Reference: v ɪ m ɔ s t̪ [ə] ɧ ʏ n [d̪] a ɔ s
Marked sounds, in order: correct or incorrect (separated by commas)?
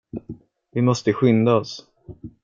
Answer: correct, correct